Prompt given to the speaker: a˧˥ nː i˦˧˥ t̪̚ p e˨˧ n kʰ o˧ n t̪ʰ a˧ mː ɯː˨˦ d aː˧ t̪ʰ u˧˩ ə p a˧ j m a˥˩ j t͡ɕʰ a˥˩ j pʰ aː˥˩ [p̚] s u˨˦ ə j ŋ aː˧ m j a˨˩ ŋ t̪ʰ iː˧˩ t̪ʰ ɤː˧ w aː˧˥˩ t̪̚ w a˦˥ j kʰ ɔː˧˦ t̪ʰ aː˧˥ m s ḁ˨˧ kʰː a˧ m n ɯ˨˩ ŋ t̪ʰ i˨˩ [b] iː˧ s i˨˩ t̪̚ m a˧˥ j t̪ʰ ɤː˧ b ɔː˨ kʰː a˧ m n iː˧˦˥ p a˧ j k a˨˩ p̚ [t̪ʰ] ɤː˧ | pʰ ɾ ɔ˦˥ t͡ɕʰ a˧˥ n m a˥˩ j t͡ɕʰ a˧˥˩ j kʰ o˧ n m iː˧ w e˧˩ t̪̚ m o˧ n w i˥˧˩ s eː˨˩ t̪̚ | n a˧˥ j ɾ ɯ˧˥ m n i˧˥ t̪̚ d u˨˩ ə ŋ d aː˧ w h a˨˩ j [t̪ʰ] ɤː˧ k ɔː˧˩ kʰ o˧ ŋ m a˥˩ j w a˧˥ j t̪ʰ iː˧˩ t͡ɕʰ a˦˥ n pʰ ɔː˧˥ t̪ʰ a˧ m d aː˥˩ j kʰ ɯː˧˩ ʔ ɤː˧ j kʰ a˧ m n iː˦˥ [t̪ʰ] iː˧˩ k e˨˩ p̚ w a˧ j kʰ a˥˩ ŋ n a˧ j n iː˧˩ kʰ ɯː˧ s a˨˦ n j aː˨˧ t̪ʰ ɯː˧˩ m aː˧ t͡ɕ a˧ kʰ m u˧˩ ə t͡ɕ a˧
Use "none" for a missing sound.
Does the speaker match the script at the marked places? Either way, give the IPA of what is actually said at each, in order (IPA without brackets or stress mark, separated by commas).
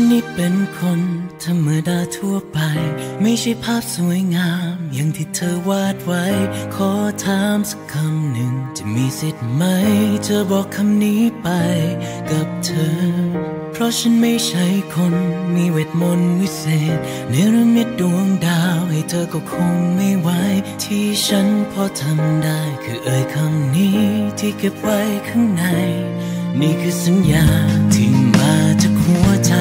p̚, m, t̪ʰ, t̪ʰ, t̪ʰ